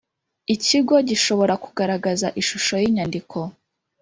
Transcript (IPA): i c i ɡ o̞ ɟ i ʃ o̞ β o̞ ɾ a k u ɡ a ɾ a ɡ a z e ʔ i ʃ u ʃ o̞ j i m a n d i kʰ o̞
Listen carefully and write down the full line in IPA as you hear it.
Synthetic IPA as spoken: i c i ɡ o̞ ɟ i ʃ o̞ β o̞ ɾ a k u ɡ a ɾ a ɡ a z a ʔ i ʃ u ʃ o̞ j i ɲ a n d i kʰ o̞